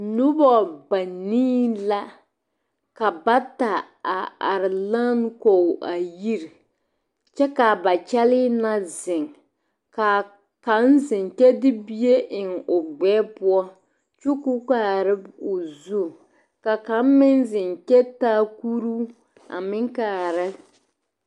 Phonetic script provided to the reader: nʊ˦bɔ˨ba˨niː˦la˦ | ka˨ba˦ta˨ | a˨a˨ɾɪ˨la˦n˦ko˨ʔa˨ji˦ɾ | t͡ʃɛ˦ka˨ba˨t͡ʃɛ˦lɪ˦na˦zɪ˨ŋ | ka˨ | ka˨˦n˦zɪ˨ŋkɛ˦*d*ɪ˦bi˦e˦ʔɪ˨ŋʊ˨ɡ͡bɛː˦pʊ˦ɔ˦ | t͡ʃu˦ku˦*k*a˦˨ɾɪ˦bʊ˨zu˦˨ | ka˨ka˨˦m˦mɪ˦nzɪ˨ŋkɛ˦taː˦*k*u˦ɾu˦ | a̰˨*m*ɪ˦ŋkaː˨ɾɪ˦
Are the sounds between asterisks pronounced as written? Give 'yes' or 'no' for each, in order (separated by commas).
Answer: yes, yes, yes, yes